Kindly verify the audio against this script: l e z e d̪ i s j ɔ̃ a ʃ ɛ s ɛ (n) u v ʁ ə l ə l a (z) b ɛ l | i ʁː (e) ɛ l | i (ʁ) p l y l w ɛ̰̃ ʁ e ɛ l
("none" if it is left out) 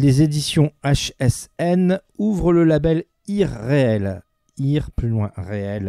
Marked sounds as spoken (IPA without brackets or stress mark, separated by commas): n, none, e, ʁ